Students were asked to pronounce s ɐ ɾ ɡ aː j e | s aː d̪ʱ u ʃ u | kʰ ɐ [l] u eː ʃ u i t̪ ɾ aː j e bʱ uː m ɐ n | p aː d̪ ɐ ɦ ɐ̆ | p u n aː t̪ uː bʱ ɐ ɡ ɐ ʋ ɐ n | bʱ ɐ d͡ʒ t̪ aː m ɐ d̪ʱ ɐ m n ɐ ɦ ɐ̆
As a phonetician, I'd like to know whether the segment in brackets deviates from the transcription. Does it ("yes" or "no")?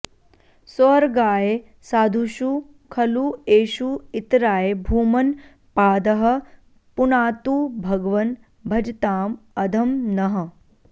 no